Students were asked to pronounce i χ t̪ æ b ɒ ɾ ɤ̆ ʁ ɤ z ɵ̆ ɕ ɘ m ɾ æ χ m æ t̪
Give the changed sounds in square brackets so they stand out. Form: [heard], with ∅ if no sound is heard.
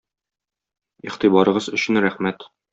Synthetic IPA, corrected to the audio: i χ t̪ [i] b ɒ ɾ ɤ̆ ʁ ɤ z ɵ̆ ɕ ɘ [n] ɾ æ χ m æ t̪